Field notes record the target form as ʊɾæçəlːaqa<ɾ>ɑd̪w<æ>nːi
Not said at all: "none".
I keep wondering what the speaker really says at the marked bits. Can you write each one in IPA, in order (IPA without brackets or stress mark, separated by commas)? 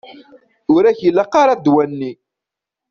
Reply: ɾ, æ